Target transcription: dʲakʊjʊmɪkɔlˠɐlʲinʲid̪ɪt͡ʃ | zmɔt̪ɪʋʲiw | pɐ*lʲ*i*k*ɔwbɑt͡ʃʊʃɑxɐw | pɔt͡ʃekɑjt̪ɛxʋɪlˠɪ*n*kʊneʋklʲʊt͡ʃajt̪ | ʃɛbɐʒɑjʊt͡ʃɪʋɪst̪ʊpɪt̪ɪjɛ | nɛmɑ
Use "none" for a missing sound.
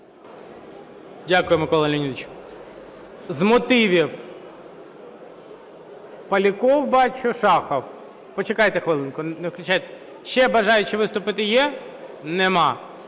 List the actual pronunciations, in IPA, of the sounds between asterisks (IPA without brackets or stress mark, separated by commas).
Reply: lʲ, k, n